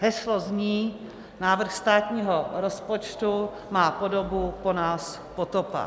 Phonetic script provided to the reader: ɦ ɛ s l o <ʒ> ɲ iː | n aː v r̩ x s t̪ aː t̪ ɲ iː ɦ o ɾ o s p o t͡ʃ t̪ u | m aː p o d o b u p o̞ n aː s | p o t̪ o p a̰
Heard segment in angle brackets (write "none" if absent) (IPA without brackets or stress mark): z